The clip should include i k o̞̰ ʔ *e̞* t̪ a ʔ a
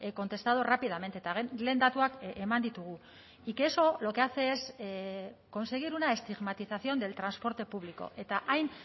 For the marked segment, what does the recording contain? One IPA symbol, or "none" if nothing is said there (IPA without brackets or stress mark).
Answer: e̞